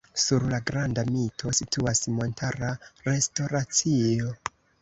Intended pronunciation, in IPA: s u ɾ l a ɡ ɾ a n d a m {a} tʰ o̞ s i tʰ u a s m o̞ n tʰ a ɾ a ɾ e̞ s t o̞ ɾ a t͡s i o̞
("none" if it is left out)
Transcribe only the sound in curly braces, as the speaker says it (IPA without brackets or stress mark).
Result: i